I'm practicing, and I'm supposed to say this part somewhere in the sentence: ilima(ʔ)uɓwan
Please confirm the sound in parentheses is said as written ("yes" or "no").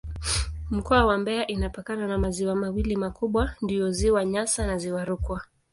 no